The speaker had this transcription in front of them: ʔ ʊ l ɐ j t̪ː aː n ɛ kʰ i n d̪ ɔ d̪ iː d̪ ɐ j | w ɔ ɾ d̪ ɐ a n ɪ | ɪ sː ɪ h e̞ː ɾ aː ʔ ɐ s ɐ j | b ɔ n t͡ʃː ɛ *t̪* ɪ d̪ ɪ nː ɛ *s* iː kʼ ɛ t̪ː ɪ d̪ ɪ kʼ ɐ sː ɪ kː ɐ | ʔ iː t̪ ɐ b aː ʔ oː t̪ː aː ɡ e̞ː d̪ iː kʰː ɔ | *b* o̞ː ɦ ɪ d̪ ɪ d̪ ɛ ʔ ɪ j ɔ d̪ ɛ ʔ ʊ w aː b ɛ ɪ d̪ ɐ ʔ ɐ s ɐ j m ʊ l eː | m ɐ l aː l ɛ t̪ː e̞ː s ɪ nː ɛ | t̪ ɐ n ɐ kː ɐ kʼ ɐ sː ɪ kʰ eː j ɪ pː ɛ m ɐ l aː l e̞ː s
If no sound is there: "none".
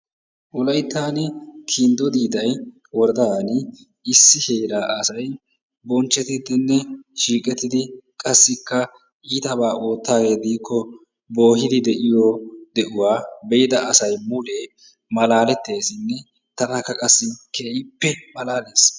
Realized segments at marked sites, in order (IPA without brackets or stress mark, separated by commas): t̪, ʃ, b